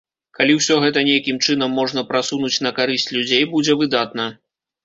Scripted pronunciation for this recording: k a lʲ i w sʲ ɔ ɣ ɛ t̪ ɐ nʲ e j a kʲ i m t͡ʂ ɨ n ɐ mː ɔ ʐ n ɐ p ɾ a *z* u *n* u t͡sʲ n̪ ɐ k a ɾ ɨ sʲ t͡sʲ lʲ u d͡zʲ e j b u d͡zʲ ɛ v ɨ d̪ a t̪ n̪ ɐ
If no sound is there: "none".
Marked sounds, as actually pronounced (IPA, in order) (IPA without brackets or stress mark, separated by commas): s, n